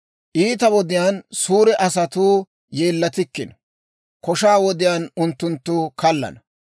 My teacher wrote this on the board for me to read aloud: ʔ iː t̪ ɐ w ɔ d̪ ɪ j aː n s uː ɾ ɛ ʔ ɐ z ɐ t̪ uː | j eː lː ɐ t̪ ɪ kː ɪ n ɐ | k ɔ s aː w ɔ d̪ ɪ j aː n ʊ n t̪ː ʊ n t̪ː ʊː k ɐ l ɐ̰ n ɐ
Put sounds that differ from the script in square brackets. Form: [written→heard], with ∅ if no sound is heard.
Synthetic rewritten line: ʔ iː t̪ ɐ w ɔ d̪ ɪ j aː n s uː ɾ ɛ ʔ ɐ [z→s] ɐ t̪ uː | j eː lː ɐ t̪ ɪ kː ɪ n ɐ | k ɔ [s→ʃ] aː w ɔ d̪ ɪ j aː n ʊ n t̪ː ʊ n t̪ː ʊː k ɐ [l→lː] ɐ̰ n ɐ

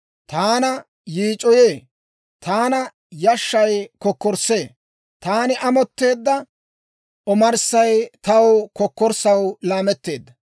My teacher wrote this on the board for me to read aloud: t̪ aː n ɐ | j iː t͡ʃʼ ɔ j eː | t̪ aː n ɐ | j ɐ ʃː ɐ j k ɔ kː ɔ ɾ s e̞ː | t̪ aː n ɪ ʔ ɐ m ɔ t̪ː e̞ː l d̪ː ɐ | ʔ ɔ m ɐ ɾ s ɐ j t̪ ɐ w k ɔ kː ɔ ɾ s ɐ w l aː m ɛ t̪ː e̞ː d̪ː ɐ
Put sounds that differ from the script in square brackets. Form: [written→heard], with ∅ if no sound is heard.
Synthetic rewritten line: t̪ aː n ɐ | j iː t͡ʃʼ ɔ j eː | t̪ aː n ɐ | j ɐ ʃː ɐ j k ɔ kː ɔ ɾ s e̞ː | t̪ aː n ɪ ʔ ɐ m ɔ t̪ː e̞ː [l→∅] d̪ː ɐ | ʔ ɔ m ɐ ɾ s ɐ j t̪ ɐ w k ɔ kː ɔ ɾ s ɐ w l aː m ɛ t̪ː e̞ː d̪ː ɐ

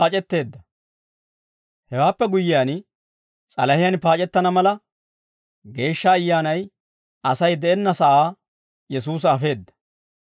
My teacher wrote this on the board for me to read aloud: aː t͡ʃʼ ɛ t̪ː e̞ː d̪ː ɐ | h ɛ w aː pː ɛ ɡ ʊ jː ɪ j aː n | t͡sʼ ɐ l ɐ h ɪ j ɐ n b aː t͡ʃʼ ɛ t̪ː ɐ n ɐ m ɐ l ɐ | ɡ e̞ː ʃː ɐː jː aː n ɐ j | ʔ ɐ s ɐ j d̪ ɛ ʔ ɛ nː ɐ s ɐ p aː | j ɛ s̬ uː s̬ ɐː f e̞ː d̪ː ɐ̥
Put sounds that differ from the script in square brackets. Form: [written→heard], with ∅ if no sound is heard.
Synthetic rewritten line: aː t͡ʃʼ ɛ t̪ː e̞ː d̪ː ɐ | h ɛ w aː pː ɛ ɡ ʊ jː ɪ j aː n | t͡sʼ ɐ l ɐ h ɪ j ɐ n [b→p] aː t͡ʃʼ ɛ t̪ː ɐ n ɐ m ɐ l ɐ | ɡ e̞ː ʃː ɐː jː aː n ɐ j | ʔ ɐ s ɐ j d̪ ɛ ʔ ɛ nː ɐ s ɐ [p→ʔ] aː | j ɛ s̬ uː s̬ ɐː f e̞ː d̪ː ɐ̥

